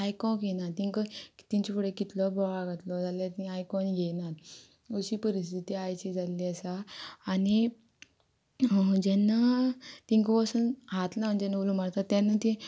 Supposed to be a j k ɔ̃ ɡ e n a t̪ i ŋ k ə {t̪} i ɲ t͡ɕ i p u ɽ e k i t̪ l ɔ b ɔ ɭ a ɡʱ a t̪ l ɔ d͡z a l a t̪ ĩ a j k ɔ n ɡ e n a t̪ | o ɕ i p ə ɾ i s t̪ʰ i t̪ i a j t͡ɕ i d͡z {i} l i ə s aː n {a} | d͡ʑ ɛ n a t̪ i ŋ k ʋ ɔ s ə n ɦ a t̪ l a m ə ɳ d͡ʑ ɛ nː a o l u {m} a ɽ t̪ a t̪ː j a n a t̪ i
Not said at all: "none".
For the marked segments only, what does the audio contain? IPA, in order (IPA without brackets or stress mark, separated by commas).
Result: t̪, a, i, m